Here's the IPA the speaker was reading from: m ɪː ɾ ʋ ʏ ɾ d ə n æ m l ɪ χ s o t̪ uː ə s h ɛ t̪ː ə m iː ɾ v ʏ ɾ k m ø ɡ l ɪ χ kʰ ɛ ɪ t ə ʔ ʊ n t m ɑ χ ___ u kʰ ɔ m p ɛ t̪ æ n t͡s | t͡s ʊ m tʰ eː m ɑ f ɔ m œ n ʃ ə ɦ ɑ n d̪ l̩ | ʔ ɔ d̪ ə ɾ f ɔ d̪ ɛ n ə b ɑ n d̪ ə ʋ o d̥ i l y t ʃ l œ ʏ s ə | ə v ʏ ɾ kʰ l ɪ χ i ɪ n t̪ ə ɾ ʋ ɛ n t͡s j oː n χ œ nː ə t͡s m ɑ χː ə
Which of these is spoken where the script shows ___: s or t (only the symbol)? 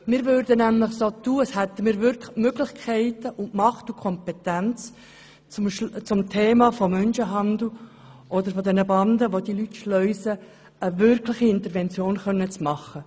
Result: t